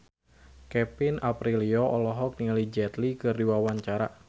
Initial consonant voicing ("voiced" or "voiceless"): voiceless